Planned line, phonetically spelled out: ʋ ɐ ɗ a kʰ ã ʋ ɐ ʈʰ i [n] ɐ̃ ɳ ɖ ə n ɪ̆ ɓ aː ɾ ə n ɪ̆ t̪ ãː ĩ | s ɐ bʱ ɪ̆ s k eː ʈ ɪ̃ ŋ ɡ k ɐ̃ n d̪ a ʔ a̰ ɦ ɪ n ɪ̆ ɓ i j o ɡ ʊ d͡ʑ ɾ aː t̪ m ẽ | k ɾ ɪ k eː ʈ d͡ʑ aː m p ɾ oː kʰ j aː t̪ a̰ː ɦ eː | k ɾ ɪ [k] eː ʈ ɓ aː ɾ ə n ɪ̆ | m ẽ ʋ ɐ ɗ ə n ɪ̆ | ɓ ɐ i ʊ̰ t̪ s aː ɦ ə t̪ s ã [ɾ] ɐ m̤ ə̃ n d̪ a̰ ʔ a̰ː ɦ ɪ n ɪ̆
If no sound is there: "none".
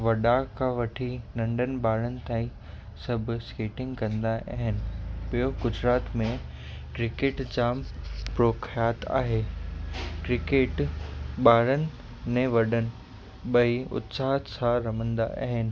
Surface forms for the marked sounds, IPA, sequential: n, k, ɾ

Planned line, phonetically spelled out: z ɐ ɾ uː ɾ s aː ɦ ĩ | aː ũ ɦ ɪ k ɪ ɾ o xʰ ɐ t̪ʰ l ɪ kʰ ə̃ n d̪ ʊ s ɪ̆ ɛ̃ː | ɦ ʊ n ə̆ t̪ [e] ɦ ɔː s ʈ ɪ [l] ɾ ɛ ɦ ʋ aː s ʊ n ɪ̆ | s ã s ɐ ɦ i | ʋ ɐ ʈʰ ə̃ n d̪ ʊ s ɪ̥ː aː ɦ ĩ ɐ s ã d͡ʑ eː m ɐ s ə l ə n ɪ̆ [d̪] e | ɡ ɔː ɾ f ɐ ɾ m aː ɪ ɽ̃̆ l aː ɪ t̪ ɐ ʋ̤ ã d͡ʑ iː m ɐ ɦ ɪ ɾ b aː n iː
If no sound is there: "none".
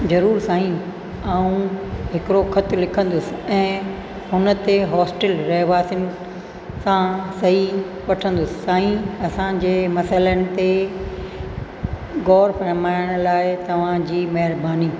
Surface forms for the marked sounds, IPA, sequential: e, l, t̪

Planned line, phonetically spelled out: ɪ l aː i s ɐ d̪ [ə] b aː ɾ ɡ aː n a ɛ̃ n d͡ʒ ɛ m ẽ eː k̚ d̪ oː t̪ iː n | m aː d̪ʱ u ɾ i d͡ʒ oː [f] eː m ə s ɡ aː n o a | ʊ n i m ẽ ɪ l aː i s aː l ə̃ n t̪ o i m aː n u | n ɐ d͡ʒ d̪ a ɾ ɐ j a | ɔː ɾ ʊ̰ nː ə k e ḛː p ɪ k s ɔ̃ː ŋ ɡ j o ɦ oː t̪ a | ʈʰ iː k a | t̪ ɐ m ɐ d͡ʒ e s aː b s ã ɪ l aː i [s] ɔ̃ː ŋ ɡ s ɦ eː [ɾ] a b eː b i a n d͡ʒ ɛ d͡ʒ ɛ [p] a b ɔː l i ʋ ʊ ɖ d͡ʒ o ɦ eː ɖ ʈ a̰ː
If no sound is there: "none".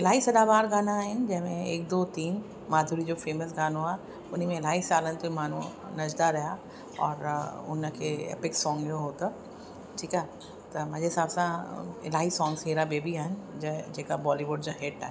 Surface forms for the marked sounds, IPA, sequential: a, f, s, ɾ, k

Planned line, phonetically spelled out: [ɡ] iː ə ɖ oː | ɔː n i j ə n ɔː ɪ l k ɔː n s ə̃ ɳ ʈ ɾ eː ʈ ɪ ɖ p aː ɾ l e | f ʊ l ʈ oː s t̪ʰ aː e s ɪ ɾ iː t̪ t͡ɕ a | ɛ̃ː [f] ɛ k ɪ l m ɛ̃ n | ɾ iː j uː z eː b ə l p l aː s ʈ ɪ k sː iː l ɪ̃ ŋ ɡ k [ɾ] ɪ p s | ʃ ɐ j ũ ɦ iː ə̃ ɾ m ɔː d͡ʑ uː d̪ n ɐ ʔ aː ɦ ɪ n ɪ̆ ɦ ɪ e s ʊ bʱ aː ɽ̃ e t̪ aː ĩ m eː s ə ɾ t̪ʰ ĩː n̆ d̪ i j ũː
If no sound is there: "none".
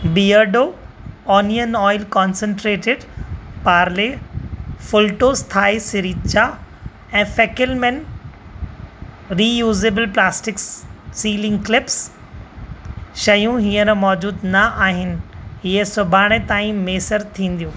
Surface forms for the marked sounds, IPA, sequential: b, f, l

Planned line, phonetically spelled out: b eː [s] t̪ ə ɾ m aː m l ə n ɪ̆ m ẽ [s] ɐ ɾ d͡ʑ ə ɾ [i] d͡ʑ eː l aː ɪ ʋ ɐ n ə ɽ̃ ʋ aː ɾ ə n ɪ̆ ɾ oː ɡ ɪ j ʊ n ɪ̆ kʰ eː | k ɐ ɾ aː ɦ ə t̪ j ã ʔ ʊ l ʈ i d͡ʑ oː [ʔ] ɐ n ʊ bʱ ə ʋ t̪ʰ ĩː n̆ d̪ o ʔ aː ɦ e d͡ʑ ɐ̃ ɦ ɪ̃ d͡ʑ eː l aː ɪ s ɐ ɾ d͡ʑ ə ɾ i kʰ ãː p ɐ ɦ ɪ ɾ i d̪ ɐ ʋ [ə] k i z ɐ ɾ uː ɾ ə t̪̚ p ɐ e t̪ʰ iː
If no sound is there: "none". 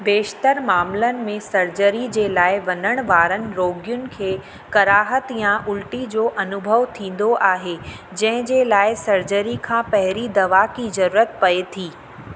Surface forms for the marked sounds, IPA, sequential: ʃ, s, i, ʔ, a

